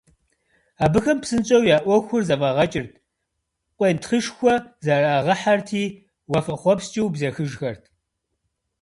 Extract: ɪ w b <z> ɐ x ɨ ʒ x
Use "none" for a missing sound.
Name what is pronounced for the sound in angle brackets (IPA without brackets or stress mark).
z